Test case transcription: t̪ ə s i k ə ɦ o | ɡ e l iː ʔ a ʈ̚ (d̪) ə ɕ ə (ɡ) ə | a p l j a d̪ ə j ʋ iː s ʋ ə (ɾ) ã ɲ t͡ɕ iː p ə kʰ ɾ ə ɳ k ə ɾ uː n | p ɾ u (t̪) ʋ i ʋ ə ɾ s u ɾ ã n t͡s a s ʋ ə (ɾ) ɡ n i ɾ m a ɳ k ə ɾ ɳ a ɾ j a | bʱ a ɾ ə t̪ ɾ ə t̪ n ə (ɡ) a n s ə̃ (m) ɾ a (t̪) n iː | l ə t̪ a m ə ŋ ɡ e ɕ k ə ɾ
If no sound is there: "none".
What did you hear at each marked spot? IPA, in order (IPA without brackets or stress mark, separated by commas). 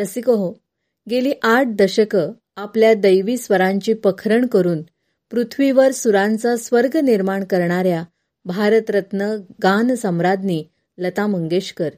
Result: d̪, k, ɾ, t̪ʰ, ɾ, ɡ, m, d̪